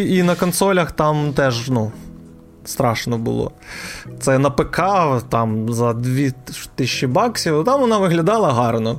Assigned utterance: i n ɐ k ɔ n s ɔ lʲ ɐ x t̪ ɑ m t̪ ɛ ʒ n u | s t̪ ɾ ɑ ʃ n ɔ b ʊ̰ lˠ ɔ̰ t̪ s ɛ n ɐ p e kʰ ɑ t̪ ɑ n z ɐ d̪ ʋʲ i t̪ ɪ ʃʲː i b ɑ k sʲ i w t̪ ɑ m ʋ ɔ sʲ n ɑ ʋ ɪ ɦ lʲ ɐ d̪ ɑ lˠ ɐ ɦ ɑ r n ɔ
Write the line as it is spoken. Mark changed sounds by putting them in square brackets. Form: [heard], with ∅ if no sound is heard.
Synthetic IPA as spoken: i n ɐ k ɔ n s ɔ lʲ ɐ x t̪ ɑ m t̪ ɛ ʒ n u | s t̪ ɾ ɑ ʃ n ɔ b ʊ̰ lˠ ɔ̰ t̪ s ɛ n ɐ p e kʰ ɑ t̪ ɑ [m] z ɐ d̪ ʋʲ i t̪ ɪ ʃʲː i b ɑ k sʲ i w t̪ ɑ m ʋ ɔ [∅] n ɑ ʋ ɪ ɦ lʲ ɐ d̪ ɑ lˠ ɐ ɦ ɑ r n ɔ